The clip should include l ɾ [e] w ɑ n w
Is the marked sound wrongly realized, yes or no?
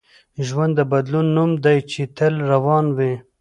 yes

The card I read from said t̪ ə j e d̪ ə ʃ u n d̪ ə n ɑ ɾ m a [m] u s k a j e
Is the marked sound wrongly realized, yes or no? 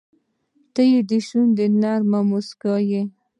no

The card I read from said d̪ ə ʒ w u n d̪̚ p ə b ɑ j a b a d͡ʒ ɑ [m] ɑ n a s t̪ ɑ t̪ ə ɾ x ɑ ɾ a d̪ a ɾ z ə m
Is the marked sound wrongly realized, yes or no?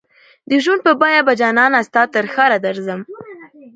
yes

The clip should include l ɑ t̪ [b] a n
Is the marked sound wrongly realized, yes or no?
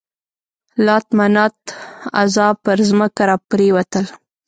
yes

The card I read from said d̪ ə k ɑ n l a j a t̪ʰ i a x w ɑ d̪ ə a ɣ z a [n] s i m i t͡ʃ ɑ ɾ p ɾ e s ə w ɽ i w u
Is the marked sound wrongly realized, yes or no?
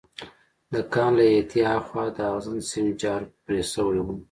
no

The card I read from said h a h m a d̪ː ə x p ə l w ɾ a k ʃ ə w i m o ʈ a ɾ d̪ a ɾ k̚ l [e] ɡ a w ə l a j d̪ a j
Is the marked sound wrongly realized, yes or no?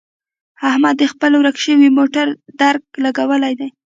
yes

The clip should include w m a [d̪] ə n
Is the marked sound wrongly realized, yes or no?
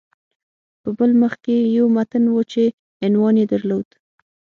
yes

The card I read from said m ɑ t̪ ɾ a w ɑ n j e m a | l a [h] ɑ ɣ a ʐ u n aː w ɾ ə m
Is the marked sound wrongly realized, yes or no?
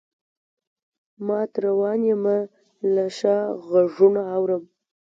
yes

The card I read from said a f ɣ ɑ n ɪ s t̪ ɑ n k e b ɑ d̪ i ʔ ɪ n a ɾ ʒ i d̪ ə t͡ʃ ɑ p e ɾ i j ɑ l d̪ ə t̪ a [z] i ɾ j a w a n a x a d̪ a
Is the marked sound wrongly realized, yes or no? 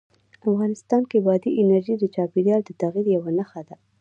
yes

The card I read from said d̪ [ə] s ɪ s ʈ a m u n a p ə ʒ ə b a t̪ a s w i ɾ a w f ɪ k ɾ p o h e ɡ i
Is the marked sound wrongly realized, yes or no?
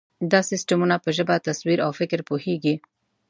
yes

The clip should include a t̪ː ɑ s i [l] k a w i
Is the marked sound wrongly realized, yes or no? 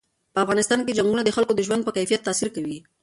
yes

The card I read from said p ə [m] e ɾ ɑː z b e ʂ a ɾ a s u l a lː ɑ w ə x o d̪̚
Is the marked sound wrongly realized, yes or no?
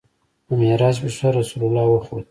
no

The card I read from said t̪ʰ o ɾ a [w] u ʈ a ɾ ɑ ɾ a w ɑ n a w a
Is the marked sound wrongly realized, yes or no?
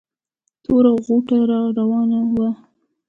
yes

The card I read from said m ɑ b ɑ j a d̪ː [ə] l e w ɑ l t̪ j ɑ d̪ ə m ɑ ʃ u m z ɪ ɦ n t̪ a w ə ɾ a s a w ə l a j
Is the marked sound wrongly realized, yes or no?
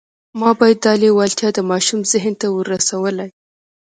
yes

